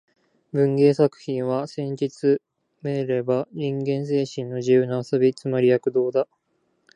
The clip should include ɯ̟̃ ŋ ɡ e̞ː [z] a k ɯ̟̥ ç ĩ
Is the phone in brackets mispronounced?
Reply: yes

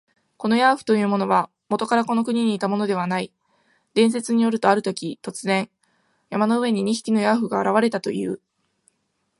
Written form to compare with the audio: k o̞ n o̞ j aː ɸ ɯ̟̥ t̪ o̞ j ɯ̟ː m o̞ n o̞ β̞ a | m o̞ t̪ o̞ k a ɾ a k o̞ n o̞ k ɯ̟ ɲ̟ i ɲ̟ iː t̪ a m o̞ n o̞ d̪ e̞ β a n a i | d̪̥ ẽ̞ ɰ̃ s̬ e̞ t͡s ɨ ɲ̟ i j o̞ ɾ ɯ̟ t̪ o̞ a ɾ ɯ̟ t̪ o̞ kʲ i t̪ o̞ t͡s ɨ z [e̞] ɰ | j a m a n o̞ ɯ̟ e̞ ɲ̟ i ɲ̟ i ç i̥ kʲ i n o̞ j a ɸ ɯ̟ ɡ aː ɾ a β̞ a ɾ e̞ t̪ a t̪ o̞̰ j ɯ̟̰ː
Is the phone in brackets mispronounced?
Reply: yes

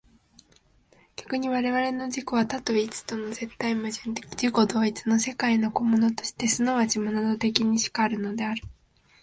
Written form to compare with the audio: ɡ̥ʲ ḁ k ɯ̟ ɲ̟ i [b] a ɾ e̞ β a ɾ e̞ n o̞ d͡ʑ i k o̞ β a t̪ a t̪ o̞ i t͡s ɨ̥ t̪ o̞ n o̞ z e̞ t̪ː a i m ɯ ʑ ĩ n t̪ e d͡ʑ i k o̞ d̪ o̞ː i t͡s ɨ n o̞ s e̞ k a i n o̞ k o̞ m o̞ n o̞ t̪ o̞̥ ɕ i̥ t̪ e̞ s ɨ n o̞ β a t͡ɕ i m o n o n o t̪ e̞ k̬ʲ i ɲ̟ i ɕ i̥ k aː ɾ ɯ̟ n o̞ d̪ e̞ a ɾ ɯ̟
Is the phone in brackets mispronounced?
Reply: yes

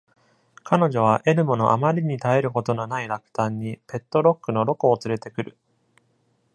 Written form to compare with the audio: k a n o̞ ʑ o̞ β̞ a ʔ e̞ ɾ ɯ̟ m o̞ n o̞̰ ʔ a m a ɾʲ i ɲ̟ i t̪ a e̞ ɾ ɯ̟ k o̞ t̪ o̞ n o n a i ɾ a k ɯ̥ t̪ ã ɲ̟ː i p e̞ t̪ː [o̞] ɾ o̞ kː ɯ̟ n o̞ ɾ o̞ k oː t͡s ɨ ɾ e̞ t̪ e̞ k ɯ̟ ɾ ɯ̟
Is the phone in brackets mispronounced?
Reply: no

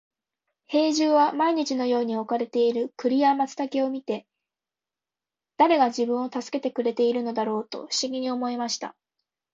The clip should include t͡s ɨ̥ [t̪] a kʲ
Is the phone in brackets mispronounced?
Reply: no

